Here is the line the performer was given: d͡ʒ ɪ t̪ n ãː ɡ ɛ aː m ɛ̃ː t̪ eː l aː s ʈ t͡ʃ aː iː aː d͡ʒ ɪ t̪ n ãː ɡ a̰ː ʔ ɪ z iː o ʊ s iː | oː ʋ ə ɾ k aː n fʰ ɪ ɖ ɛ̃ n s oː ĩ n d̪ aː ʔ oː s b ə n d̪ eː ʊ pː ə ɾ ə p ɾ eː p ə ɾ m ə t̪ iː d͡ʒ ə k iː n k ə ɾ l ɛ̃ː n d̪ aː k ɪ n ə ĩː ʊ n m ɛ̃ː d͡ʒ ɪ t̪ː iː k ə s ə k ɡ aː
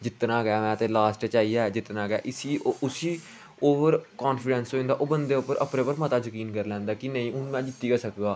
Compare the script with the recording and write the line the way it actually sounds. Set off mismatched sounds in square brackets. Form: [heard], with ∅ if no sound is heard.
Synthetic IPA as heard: d͡ʒ ɪ t̪ n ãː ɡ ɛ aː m ɛ̃ː t̪ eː l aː s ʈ t͡ʃ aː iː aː d͡ʒ ɪ t̪ n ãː ɡ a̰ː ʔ ɪ [s] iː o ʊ s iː | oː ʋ ə ɾ k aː n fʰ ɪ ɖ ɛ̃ n s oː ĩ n d̪ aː ʔ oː [∅] b ə n d̪ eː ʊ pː ə ɾ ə p ɾ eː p ə ɾ m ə t̪ [aː] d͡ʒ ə k iː n k ə ɾ l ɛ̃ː n d̪ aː k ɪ n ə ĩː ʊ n m ɛ̃ː d͡ʒ ɪ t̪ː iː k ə s ə k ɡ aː